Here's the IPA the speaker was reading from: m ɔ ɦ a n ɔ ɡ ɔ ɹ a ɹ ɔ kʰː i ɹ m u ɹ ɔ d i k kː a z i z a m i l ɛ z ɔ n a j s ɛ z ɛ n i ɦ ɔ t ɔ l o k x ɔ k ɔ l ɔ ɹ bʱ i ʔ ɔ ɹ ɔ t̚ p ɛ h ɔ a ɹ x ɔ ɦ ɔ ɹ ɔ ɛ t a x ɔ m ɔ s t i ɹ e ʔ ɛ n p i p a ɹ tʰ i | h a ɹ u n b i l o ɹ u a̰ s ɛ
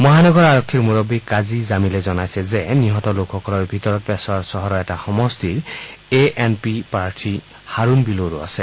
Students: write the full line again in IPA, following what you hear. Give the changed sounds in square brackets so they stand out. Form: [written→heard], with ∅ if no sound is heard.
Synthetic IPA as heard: m ɔ ɦ a n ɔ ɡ ɔ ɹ a ɹ ɔ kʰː i ɹ m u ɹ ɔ [d→b] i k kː a z i z a m i l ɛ z ɔ n a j s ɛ z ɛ n i ɦ ɔ t ɔ l o k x ɔ k ɔ l ɔ ɹ bʱ i [ʔ→t] ɔ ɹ ɔ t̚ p ɛ [h→s] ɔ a ɹ [x→s] ɔ ɦ ɔ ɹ ɔ ɛ t a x ɔ m ɔ s t i ɹ e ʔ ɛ n p i p a ɹ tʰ i | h a ɹ u n b i l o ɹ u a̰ s ɛ

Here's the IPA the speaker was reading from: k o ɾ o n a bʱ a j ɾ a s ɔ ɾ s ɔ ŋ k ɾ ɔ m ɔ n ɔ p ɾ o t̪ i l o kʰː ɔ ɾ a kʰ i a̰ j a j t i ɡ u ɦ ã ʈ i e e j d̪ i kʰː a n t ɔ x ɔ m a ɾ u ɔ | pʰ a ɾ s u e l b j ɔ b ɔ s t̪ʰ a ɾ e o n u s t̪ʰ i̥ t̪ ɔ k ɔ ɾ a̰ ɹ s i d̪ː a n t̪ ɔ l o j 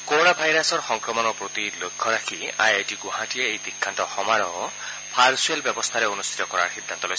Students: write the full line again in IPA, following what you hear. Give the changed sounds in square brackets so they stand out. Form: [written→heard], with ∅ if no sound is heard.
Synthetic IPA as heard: k o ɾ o n a bʱ a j ɾ a s ɔ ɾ [s→x] ɔ ŋ k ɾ ɔ m ɔ n ɔ p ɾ o t̪ i l o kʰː ɔ ɾ a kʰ i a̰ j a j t i ɡ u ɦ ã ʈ i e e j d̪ i kʰː a n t ɔ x ɔ m a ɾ [u→ɔ] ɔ | pʰ a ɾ s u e l b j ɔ b ɔ s t̪ʰ a ɾ e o n u s t̪ʰ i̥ t̪ ɔ k ɔ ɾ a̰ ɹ [s→x] i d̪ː a n t̪ ɔ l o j

